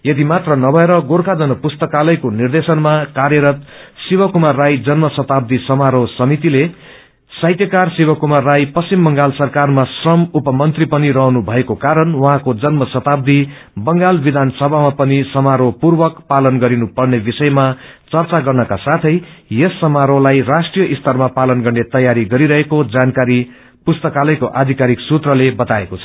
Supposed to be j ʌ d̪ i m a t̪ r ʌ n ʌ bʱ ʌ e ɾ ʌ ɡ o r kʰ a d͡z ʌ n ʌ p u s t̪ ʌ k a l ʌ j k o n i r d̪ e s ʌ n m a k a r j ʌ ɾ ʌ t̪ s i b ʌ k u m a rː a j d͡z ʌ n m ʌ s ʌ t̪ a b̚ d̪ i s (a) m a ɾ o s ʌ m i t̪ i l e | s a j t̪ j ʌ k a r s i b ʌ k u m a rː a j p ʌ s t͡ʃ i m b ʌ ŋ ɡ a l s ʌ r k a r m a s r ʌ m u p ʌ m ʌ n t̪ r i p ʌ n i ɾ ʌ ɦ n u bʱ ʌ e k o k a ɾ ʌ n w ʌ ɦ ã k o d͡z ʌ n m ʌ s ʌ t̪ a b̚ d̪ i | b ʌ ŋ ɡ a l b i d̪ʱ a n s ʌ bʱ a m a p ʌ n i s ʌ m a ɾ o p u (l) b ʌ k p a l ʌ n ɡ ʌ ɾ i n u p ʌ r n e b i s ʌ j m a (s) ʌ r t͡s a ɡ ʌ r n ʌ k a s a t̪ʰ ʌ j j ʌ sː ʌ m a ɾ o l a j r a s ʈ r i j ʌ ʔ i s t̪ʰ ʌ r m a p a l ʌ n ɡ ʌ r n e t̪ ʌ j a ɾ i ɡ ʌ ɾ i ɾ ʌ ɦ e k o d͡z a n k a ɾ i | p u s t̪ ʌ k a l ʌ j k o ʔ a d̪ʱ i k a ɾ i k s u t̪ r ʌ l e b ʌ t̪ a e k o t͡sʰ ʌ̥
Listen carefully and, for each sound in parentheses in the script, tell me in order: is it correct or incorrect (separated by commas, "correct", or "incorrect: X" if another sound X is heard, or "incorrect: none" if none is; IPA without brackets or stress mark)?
incorrect: ʌ, incorrect: r, incorrect: t͡s